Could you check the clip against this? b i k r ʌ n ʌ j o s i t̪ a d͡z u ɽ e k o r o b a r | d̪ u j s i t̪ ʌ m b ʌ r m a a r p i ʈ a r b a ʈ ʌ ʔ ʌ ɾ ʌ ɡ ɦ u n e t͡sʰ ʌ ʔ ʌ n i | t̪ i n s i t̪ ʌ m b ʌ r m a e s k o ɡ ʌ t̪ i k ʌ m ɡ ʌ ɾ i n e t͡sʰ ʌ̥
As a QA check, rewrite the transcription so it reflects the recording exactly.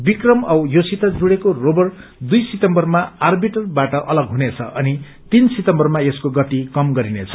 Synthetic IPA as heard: b i k r ʌ m ʌ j o s i t̪ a d͡z u ɽ e k o r o b ʌ r | d̪ u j s i t̪ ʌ m b ʌ r m a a r b i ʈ ʌ r b a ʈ ʌ ʔ ʌ l ʌ ɡ ɦ u n e t͡sʰ ʌ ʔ ʌ n i | t̪ i n s i t̪ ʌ m b ʌ r m a e s k o ɡ ʌ t̪ i k ʌ m ɡ ʌ ɾ i n e t͡sʰ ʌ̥